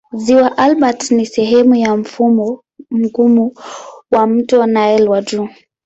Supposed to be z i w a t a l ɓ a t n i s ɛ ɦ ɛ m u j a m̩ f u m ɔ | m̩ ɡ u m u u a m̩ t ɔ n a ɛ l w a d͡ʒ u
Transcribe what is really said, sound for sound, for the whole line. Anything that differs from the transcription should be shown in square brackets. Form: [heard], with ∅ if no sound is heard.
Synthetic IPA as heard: z i w a [ʔ] a l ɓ a t n i s ɛ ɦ ɛ m u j a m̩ f u m ɔ | m̩ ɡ u m u [w] a m̩ t ɔ n a ɛ l w a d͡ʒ u